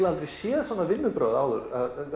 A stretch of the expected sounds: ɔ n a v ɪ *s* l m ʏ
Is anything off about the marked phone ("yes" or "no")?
yes